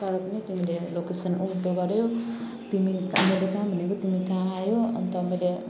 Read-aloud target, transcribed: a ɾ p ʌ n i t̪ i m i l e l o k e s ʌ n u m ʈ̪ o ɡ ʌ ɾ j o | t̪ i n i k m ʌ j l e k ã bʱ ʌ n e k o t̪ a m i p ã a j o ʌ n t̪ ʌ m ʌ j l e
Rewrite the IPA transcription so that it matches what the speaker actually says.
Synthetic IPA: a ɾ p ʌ n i t̪ i m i l e l o k e s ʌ n u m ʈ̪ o ɡ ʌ ɾ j o | t̪ i m i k m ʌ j l e k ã bʱ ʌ n e k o t̪ i m i k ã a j o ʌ n t̪ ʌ m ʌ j l e